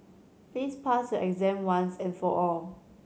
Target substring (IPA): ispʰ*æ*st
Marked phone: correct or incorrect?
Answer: incorrect